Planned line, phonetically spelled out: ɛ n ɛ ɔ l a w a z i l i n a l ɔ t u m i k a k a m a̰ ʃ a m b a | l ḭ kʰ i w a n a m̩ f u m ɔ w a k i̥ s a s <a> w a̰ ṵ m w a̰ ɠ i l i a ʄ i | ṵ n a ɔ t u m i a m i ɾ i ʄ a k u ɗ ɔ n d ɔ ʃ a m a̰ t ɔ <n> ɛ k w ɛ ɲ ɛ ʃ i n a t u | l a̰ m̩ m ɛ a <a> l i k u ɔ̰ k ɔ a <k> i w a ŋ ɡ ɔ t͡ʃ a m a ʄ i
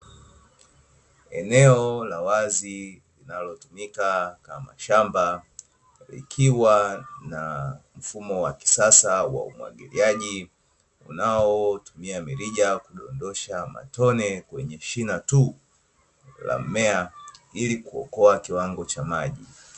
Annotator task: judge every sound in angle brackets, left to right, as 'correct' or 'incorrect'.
correct, correct, incorrect, correct

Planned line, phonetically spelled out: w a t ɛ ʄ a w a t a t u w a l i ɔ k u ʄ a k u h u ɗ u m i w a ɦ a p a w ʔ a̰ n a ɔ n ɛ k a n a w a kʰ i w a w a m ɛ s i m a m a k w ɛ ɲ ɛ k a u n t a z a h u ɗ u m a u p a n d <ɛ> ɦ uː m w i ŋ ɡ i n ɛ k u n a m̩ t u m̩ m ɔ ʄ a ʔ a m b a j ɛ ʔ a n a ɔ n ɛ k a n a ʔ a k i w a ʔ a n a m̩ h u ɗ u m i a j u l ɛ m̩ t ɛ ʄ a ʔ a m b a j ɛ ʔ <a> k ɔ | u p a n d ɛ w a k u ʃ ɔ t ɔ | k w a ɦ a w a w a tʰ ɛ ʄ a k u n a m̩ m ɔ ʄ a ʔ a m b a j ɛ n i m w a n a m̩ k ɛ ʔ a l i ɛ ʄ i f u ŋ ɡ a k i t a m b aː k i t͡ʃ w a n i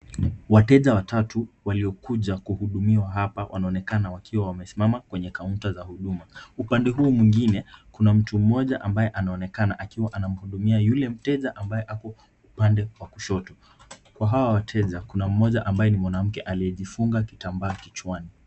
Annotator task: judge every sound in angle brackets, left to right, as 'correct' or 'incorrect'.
correct, correct

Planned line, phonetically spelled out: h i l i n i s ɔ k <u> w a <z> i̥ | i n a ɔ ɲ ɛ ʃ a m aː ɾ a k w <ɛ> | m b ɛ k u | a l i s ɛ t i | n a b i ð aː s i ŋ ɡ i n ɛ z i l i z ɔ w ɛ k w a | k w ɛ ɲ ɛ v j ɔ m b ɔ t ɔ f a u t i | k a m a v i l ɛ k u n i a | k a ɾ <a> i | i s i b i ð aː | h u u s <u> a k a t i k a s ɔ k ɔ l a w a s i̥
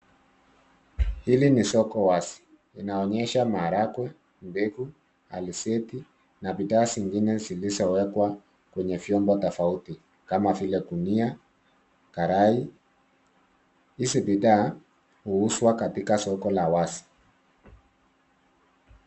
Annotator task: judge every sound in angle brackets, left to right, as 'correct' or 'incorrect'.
incorrect, incorrect, correct, correct, incorrect

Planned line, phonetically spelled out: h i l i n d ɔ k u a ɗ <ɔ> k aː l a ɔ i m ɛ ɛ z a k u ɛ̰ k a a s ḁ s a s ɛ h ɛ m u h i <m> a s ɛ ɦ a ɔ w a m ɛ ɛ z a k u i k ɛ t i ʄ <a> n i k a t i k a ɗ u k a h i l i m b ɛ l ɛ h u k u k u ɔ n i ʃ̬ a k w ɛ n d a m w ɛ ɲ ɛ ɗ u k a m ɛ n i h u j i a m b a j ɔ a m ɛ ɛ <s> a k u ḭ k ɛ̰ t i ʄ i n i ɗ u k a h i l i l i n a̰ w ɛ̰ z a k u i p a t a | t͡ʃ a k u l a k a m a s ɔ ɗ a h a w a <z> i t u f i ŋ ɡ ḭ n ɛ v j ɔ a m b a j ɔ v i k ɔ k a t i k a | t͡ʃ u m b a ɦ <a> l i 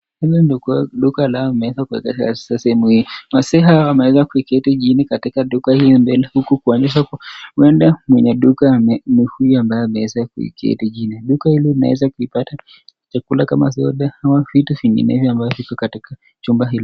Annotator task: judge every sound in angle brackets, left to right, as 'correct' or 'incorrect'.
incorrect, correct, incorrect, incorrect, incorrect, incorrect

